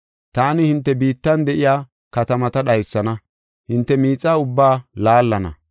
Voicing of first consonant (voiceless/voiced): voiceless